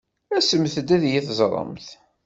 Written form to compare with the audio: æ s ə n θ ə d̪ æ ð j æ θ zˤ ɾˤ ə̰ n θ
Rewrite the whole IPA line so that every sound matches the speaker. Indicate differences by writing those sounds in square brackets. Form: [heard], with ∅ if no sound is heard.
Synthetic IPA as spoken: æ s ə [m] θ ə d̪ æ ð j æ θ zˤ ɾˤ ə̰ [m] θ